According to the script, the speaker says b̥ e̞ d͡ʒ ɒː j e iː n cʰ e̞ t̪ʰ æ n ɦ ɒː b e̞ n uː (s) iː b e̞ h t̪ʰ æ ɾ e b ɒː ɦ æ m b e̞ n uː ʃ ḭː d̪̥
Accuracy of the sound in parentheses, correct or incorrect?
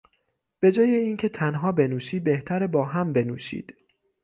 incorrect